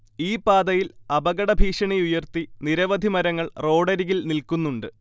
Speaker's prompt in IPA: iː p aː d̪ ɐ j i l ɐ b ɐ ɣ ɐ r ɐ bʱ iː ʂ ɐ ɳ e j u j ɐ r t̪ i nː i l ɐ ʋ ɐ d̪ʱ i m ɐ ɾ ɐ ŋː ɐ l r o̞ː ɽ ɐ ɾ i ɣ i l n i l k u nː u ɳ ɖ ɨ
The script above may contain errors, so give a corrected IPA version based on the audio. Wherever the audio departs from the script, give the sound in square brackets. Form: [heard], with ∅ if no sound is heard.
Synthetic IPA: iː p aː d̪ ɐ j i l ɐ b ɐ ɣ ɐ [ɽ] ɐ bʱ iː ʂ ɐ ɳ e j u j ɐ r t̪ i [n] i [ɾ] ɐ ʋ ɐ d̪ʱ i m ɐ ɾ ɐ ŋː ɐ [ɭ] r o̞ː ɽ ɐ ɾ i ɣ i l n i l k u nː u ɳ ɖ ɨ